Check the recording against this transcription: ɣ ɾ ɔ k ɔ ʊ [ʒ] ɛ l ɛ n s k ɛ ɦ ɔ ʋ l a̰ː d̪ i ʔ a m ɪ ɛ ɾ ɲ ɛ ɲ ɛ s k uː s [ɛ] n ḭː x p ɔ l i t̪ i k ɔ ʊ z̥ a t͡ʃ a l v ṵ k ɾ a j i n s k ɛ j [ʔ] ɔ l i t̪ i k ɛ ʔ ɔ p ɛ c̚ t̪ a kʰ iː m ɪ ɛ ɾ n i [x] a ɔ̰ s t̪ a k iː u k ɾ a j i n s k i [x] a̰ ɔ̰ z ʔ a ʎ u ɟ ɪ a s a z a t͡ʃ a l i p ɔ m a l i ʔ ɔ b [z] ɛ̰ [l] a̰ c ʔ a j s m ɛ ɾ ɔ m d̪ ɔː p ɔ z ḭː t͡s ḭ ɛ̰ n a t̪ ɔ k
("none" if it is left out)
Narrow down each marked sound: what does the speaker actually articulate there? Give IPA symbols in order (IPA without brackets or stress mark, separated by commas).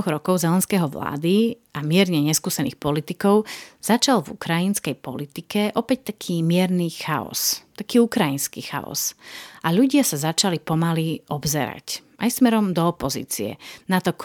z, ɛ, p, x, x, z, ɾ